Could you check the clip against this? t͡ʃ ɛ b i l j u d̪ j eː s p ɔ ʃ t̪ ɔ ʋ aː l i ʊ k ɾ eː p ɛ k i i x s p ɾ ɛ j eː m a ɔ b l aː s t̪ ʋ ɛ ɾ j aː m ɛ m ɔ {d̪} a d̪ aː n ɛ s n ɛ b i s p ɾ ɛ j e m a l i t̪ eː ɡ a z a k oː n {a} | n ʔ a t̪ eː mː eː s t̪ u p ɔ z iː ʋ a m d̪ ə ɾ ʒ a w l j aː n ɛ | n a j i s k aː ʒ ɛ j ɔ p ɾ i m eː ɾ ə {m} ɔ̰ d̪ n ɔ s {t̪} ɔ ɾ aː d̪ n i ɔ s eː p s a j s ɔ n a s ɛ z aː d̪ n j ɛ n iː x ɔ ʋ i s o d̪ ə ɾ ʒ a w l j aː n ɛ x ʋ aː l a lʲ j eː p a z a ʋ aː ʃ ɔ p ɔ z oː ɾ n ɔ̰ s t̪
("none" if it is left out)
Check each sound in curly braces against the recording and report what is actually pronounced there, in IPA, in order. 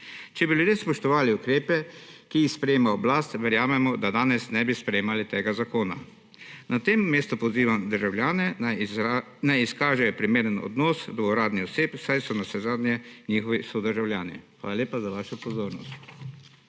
d̪, a, n, d̪

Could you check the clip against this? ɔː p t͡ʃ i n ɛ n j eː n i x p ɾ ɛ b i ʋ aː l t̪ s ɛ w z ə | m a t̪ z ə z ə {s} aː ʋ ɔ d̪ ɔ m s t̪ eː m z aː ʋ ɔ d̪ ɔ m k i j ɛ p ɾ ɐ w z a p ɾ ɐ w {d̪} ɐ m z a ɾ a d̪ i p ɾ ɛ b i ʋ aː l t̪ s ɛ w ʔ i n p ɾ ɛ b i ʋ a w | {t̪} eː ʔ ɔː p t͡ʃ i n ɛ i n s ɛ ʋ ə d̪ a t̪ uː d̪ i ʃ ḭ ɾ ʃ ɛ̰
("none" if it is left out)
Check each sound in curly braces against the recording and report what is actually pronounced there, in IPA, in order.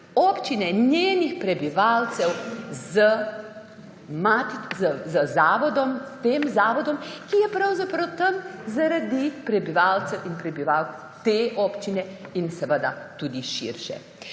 z, t̪, t̪

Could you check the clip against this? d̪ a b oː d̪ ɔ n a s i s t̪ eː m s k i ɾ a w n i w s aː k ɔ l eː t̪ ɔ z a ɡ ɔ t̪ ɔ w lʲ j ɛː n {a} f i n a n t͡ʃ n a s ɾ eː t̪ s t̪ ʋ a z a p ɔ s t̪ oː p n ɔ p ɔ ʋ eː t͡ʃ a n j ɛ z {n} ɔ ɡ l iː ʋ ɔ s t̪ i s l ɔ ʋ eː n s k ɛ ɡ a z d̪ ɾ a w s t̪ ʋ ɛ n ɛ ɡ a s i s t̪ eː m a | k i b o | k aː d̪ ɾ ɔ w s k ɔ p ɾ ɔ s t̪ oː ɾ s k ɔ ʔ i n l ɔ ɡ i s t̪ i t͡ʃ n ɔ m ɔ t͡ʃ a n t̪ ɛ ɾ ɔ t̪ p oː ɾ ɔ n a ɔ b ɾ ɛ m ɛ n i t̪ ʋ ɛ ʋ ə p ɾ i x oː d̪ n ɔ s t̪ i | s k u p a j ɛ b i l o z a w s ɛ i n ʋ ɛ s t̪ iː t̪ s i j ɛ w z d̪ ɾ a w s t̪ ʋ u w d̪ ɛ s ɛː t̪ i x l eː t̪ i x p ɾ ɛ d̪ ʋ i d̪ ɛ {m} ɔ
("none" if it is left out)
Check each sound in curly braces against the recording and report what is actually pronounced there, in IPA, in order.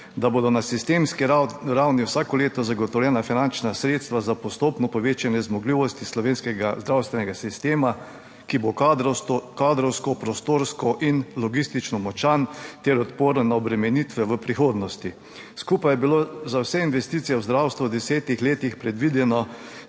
a, m, n

